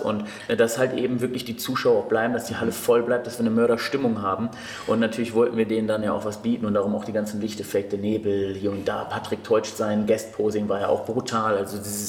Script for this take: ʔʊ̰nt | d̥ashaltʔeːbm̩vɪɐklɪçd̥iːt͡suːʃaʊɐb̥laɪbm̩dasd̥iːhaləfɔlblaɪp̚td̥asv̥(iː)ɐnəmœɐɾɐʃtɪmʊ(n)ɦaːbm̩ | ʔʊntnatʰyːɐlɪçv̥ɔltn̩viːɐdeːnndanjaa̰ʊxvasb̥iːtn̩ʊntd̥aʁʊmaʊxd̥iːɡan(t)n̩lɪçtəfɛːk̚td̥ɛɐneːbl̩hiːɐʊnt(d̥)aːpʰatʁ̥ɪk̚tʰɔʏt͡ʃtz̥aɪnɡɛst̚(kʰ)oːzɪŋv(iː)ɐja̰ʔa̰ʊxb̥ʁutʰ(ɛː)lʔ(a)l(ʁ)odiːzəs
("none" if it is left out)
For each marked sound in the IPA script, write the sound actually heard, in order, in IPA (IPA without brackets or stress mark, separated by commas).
iː, ŋ, t͡s, d̥, pʰ, aː, aː, a, z